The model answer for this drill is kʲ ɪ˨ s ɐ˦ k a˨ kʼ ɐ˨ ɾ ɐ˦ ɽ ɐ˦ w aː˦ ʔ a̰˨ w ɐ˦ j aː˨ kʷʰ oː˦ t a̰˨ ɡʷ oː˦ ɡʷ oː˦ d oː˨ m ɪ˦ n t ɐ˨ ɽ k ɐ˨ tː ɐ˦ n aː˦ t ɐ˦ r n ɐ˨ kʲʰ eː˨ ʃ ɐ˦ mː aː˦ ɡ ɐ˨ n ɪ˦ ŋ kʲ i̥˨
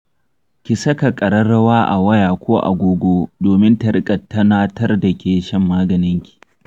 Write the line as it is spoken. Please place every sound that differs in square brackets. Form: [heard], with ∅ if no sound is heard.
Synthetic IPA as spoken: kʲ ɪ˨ s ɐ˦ k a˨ kʼ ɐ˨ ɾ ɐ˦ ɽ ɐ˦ w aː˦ ʔ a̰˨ w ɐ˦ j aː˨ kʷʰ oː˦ [ʔ] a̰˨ ɡʷ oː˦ ɡʷ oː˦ d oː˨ m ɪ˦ n t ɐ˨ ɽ [kʼ] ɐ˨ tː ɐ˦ n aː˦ t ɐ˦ r [d] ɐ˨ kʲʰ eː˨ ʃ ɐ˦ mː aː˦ ɡ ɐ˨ n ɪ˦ ŋ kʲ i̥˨